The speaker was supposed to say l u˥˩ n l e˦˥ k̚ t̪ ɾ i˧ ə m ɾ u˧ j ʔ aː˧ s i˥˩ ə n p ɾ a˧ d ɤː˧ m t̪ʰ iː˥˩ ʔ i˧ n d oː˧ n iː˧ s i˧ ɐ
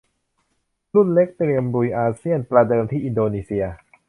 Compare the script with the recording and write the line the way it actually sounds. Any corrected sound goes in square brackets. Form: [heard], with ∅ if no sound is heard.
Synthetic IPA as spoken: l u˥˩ n l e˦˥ k̚ t̪ ɾ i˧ ə m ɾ u˧ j ʔ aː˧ s i˥˩ ə n p ɾ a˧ d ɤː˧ m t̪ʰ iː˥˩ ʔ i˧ n d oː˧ n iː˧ s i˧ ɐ